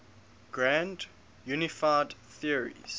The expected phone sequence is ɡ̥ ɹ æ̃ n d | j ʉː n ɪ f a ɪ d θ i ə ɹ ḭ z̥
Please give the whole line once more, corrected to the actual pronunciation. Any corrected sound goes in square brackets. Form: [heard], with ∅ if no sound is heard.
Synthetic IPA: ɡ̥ ɹ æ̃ n d | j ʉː n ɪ f a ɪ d θ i ə ɹ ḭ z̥